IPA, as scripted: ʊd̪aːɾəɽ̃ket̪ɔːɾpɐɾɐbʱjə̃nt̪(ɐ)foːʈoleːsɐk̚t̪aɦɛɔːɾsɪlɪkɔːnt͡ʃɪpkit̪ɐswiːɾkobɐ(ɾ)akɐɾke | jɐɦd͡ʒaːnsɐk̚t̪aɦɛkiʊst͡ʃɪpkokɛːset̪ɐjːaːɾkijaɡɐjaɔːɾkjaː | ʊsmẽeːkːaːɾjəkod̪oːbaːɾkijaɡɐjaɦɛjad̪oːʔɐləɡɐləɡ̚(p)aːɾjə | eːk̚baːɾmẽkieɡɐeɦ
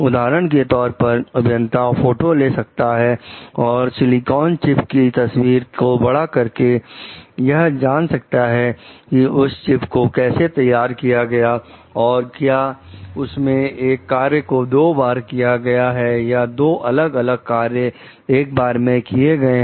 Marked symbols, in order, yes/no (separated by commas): no, no, no